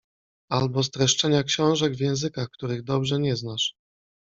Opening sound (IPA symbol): a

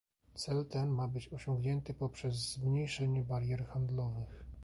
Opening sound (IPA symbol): t̪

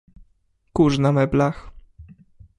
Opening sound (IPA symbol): k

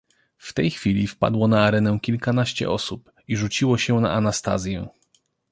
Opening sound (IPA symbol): f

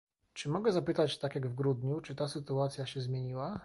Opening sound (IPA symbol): t͡ʂ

